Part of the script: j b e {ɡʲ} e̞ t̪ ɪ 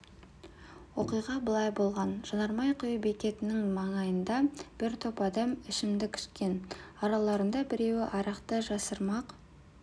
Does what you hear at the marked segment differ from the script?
yes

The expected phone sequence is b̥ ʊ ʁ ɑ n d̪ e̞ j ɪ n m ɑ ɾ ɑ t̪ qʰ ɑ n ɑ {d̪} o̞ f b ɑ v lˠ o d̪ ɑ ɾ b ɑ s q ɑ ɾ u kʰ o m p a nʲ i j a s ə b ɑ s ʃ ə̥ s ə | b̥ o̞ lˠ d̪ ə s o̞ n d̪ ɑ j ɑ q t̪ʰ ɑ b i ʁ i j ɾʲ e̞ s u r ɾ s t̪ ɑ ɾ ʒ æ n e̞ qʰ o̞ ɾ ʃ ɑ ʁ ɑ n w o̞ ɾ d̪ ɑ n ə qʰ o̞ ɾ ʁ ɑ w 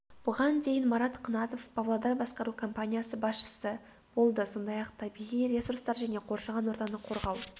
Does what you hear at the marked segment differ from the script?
yes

